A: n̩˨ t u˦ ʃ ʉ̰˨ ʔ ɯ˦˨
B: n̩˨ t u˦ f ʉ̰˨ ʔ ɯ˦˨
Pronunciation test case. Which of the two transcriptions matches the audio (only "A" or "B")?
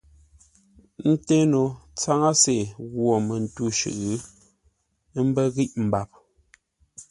A